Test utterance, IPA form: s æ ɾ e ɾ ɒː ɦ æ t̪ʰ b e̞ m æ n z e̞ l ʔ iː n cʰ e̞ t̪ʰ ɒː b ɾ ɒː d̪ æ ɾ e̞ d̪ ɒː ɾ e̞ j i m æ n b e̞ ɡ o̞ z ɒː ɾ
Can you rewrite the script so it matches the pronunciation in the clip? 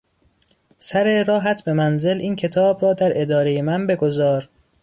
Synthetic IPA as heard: s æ ɾ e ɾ ɒː ɦ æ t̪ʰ b e̞ m æ n z e̞ l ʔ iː n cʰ e̞ t̪ʰ ɒː b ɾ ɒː d̪ æ ɾ e̞ d̪ ɒː ɾ e̞ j e m æ n b e̞ ɡ o̞ z ɒː ɾ